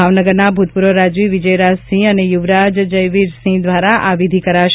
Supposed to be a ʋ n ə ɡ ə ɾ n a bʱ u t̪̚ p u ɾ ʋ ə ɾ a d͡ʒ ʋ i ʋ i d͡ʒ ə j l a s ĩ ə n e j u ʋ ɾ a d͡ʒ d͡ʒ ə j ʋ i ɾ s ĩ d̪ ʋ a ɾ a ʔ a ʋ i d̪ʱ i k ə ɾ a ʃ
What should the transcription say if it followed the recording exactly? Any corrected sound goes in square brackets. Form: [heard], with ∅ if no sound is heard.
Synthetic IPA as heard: a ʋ n ə ɡ ə ɾ n a bʱ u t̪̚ p u ɾ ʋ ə ɾ a d͡ʒ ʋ i ʋ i d͡ʒ ə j [ɾ] a s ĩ ə n e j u ʋ ɾ a d͡ʒ d͡ʒ ə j ʋ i ɾ s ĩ d̪ ʋ a ɾ a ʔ a ʋ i d̪ʱ i k ə ɾ a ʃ